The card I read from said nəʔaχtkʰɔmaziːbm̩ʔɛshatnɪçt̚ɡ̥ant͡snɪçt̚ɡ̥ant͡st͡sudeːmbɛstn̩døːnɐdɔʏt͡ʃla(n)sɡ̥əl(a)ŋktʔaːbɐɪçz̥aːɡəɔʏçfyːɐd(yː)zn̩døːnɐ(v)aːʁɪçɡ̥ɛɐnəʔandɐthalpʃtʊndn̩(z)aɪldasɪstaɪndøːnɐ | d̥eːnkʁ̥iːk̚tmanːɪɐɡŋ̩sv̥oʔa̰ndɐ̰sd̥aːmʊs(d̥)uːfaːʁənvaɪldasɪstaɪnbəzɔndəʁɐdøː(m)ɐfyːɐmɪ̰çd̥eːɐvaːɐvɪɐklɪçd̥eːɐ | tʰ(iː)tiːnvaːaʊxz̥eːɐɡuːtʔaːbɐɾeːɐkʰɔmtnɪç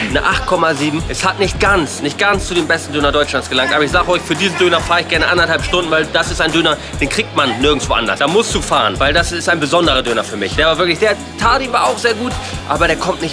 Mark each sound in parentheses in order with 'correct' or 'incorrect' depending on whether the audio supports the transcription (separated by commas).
correct, correct, incorrect, incorrect, incorrect, correct, incorrect, incorrect